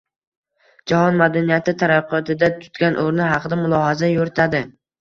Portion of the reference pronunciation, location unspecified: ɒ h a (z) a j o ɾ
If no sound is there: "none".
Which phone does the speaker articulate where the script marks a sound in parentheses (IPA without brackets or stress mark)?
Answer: z